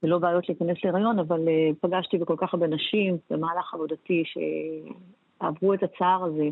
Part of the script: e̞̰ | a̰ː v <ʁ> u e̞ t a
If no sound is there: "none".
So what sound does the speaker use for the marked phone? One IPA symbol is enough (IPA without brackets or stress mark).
ʁ